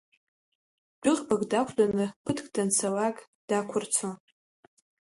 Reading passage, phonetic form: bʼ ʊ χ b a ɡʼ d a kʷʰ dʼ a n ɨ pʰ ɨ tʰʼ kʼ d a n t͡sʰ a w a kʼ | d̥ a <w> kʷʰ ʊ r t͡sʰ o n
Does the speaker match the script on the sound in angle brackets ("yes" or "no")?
no